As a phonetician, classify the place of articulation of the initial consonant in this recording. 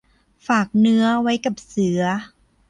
labial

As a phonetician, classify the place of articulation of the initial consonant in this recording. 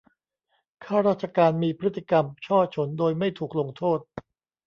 velar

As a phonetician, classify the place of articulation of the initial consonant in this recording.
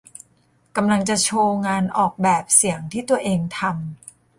velar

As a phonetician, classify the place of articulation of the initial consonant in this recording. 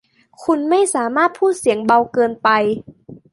velar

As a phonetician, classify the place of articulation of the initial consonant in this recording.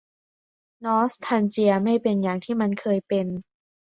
alveolar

